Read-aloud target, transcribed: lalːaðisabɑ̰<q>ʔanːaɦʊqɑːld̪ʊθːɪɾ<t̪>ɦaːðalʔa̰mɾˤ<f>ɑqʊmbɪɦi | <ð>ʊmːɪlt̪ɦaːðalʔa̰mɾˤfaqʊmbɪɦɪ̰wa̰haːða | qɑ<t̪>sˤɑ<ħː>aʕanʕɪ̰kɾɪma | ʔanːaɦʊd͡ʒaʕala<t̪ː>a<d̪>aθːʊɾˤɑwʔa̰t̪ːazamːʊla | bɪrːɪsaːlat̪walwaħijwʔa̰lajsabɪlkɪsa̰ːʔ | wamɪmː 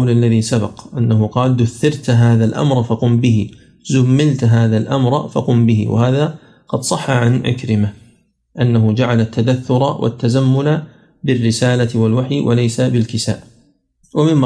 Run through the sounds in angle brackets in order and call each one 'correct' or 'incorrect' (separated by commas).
correct, correct, correct, incorrect, incorrect, correct, correct, correct